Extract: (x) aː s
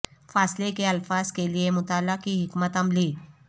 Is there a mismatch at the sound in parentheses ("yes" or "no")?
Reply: yes